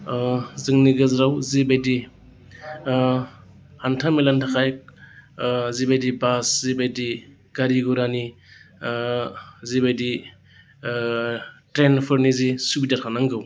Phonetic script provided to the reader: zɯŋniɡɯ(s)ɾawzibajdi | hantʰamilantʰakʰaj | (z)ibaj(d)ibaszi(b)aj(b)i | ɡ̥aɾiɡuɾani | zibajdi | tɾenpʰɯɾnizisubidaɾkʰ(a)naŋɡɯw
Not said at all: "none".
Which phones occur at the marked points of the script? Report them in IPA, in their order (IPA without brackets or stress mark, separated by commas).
z, z, d, b, d, a